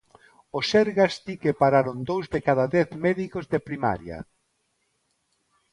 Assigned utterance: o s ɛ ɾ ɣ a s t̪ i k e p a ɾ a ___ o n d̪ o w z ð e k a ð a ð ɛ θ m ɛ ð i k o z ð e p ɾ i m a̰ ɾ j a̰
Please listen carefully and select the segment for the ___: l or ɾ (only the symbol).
ɾ